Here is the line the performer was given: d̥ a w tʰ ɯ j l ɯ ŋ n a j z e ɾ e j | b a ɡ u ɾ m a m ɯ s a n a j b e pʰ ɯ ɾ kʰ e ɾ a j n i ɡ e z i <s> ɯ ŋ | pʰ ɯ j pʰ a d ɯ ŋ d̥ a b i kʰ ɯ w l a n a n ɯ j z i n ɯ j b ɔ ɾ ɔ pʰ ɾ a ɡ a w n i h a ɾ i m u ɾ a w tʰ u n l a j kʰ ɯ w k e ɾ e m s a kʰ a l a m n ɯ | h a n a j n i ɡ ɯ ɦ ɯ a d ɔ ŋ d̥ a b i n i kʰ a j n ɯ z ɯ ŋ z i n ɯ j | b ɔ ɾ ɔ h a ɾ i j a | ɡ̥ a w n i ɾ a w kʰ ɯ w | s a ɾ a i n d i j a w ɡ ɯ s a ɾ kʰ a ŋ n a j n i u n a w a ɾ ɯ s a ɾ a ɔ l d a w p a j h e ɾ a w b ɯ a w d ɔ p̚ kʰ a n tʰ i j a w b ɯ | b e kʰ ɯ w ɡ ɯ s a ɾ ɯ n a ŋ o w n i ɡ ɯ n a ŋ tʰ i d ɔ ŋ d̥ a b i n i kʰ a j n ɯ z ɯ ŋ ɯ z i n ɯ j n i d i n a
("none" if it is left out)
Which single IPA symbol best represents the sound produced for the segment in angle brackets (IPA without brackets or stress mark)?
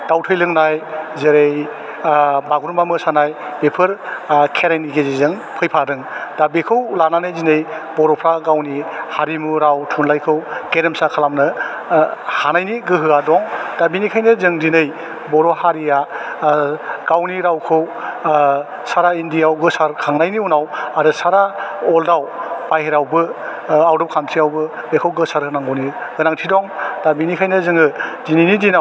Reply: z